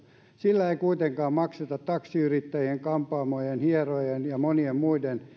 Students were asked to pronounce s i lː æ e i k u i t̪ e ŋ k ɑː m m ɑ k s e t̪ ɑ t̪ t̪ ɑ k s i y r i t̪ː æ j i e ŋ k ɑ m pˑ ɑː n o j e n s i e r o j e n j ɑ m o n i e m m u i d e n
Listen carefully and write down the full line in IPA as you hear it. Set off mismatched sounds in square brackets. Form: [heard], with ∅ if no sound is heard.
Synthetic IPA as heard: s i lː æ e i k u i t̪ e ŋ k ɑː m m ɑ k s e t̪ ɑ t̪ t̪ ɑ k s i y r i t̪ː æ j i e ŋ k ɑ m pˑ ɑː [m] o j e n [h] i e r o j e n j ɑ m o n i e m m u i d e n

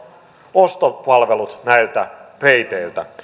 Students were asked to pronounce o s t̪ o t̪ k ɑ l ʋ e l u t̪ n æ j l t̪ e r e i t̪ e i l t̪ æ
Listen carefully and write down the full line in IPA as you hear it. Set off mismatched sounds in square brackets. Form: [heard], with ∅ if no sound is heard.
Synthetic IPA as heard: o s t̪ o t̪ [p] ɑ l ʋ e l u t̪ n æ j l t̪ [æ] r e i t̪ e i l t̪ æ

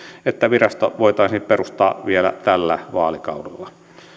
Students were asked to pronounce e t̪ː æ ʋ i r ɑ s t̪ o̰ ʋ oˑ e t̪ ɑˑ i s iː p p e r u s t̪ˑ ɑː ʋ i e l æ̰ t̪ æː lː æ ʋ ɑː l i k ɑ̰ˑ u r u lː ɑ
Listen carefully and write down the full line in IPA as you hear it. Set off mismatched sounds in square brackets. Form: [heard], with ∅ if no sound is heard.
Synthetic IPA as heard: e t̪ː æ ʋ i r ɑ s t̪ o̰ ʋ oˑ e t̪ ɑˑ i s iː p p e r u s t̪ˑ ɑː ʋ i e l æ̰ t̪ [æ] lː æ ʋ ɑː l i k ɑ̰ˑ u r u lː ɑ

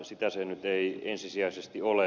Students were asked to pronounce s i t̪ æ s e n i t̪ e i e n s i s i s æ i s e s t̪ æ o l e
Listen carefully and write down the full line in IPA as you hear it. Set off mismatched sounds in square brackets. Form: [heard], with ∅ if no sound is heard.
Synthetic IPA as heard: s i t̪ æ s e n [y] t̪ e i e n s i s i [∅] æ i s e s t̪ [i] o l e

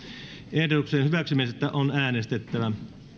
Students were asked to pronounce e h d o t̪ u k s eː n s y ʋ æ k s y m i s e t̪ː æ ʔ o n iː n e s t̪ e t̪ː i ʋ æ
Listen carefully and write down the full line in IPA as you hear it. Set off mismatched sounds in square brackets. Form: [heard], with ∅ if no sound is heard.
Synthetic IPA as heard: e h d o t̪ u k s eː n [h] y ʋ æ k s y m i s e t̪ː æ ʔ o n [æː] n e s t̪ e t̪ː [æ] ʋ æ

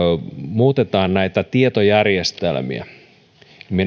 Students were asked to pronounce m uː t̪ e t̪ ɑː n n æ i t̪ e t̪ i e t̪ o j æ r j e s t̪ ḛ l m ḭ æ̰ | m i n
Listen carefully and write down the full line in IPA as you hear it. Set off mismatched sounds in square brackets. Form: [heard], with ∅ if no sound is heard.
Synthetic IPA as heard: m uː t̪ e t̪ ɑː n n æ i t̪ [æ] t̪ i e t̪ o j æ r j e s t̪ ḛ l m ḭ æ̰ | m i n

